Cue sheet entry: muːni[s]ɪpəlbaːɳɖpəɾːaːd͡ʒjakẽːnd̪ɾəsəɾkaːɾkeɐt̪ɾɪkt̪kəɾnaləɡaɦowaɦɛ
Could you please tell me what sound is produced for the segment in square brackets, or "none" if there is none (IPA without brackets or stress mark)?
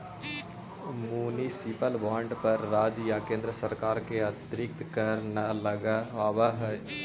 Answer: s